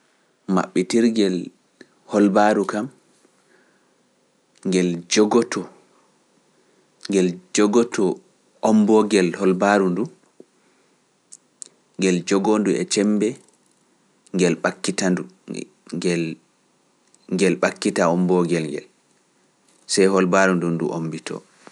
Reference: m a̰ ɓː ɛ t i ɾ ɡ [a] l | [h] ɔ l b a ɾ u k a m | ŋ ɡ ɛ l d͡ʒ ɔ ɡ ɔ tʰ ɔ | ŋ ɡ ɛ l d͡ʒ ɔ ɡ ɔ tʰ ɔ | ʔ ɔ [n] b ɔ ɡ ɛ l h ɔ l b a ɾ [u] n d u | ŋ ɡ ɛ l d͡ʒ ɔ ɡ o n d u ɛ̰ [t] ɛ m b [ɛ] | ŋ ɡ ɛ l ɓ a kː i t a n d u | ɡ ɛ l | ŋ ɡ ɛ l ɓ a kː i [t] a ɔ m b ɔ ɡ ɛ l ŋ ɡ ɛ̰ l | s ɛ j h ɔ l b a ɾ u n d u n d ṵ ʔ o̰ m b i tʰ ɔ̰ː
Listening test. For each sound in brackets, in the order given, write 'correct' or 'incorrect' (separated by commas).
incorrect, correct, incorrect, correct, incorrect, correct, correct